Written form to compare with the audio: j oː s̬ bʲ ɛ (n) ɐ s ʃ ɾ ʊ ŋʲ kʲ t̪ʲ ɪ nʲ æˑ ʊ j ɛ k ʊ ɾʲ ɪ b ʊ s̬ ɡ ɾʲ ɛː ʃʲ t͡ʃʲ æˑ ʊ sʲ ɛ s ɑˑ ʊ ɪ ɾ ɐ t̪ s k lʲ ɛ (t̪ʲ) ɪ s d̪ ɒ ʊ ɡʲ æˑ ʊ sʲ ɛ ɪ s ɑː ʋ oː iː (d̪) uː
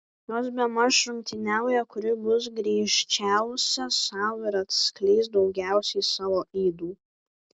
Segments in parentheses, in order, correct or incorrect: incorrect: m, incorrect: none, correct

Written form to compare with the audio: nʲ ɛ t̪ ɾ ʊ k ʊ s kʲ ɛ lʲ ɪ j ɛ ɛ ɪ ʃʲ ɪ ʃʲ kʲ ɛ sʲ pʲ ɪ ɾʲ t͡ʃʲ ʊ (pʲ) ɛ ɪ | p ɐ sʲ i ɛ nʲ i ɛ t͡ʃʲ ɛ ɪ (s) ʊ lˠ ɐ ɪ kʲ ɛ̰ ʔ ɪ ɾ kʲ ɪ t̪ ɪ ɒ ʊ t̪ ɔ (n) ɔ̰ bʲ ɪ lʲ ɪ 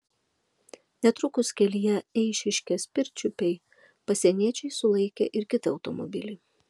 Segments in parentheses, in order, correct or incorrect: correct, correct, incorrect: m

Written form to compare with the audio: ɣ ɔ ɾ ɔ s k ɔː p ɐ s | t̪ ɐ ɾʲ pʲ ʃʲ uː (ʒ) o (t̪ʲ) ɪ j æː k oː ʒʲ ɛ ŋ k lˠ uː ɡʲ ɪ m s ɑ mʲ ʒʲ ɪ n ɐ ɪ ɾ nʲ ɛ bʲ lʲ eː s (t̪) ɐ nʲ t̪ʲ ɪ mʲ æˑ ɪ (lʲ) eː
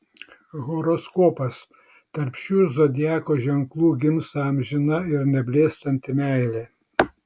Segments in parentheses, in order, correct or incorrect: incorrect: z, incorrect: d̪ʲ, correct, correct

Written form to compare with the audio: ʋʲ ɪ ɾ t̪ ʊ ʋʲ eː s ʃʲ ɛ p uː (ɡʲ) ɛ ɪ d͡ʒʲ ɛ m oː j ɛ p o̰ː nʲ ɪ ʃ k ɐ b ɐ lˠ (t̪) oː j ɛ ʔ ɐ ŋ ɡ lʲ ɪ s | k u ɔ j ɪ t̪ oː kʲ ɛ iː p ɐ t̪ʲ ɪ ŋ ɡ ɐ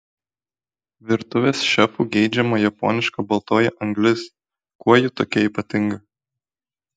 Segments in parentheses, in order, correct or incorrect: correct, correct

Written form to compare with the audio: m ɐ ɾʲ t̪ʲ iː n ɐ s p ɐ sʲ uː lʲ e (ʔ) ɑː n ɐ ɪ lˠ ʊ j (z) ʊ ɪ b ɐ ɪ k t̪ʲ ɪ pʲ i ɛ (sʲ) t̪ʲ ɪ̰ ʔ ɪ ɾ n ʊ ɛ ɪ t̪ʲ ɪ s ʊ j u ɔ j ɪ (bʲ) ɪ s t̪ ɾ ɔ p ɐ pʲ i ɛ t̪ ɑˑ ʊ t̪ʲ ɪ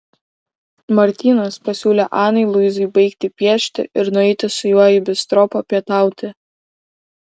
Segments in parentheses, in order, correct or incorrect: correct, correct, incorrect: ʃʲ, correct

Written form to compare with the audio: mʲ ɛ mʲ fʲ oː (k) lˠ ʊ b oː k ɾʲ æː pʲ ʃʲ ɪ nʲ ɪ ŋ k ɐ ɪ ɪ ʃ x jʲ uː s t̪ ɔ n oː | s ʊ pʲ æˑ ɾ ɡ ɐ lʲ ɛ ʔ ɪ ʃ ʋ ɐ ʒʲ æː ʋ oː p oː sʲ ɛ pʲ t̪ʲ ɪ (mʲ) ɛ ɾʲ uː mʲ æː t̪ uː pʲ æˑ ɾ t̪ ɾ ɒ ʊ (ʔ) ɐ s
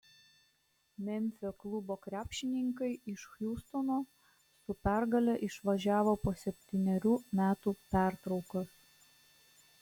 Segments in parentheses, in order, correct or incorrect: correct, incorrect: nʲ, incorrect: k

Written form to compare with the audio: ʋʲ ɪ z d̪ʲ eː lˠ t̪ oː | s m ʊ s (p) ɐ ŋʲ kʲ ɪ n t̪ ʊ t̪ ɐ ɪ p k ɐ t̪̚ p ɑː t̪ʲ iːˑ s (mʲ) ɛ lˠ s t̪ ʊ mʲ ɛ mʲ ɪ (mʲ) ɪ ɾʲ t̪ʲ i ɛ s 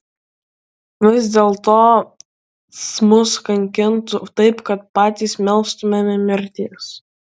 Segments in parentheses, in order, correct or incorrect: incorrect: k, correct, correct

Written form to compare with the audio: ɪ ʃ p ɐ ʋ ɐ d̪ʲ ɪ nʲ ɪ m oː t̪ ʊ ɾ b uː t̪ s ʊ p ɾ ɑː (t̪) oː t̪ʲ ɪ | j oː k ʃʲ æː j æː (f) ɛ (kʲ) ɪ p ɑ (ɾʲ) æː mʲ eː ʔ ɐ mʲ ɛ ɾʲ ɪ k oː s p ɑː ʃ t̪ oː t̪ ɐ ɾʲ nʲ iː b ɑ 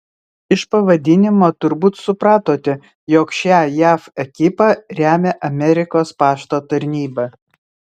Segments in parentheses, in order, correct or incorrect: correct, correct, correct, correct

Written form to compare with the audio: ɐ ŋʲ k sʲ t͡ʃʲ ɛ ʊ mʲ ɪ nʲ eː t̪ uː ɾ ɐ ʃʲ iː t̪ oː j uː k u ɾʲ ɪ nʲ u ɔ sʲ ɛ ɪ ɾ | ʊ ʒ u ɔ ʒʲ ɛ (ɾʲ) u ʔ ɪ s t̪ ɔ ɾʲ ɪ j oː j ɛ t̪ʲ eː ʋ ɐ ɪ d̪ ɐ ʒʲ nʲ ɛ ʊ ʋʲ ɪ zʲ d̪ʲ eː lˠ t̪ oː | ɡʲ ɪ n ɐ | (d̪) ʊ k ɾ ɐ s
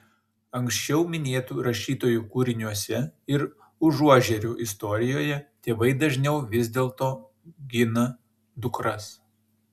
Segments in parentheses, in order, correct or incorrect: correct, correct

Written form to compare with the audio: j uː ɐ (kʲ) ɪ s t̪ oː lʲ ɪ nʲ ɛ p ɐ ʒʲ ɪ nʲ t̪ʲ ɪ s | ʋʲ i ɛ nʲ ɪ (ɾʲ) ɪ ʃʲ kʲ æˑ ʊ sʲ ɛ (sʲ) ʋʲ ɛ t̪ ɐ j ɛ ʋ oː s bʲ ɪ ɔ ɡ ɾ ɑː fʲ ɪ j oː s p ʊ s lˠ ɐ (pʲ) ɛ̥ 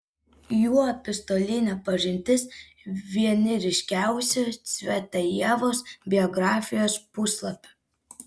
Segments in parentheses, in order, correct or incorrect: incorrect: pʲ, correct, correct, correct

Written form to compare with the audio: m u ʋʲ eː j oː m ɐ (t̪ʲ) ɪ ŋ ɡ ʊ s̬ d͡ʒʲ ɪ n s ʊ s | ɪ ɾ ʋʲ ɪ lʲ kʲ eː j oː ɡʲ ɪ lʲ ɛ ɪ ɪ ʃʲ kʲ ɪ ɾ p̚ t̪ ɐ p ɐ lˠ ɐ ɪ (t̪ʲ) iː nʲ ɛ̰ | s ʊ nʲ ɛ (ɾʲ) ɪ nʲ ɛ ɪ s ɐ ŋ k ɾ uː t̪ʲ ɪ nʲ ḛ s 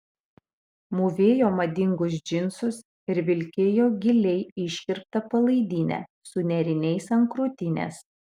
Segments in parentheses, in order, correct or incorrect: incorrect: d̪ʲ, incorrect: d̪ʲ, correct

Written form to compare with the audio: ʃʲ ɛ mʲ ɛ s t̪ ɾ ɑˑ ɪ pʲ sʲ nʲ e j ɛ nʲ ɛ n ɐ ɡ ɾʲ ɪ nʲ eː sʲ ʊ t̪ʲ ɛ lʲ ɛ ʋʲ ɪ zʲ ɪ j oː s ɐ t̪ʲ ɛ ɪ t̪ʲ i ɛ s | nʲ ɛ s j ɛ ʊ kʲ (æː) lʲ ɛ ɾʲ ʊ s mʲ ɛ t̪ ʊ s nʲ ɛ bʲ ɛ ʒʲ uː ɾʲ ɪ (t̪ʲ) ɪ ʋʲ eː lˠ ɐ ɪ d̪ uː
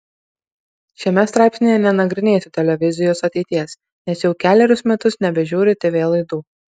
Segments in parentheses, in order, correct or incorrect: correct, correct

